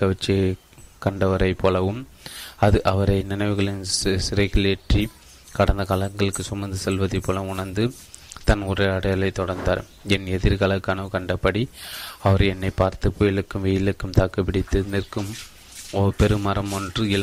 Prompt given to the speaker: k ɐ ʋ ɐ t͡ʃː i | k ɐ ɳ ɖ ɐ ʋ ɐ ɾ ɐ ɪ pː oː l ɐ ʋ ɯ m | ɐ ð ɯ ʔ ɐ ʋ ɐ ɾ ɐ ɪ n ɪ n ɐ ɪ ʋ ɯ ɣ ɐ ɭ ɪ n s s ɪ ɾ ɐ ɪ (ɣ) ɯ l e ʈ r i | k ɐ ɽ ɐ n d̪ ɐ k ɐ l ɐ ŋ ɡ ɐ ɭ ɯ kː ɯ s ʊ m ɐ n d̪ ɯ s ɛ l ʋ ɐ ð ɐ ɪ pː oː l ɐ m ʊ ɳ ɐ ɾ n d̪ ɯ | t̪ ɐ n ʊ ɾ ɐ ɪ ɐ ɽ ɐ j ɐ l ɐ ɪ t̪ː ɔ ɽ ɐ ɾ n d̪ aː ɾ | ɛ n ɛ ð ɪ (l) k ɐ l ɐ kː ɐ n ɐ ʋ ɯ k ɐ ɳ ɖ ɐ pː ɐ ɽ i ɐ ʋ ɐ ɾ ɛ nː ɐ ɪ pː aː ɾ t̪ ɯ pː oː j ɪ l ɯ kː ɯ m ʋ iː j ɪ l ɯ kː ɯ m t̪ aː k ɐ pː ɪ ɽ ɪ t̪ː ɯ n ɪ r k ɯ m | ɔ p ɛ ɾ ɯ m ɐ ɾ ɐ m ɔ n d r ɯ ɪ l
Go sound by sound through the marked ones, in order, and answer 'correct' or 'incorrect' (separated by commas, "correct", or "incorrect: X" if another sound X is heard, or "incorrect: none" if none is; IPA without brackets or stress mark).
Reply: correct, incorrect: ɾ